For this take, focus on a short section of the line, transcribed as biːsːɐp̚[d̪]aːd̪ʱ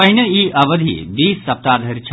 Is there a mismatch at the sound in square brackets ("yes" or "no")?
yes